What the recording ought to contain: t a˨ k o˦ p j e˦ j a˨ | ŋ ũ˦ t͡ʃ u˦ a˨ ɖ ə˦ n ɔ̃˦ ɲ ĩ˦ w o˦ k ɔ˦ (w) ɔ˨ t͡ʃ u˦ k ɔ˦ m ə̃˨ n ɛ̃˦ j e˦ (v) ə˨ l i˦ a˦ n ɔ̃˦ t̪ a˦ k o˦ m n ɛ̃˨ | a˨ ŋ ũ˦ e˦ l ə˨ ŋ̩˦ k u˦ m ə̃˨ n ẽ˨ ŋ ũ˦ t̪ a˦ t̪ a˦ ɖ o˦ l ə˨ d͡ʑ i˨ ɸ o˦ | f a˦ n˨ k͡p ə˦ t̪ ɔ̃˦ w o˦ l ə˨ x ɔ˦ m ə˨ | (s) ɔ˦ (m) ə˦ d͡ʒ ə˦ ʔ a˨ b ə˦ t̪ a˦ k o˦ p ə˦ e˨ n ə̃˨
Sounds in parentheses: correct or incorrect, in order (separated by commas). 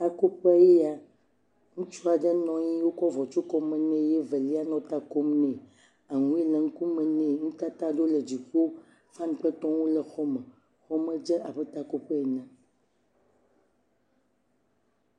incorrect, correct, incorrect, correct